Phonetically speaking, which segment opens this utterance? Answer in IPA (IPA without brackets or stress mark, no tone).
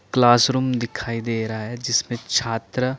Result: k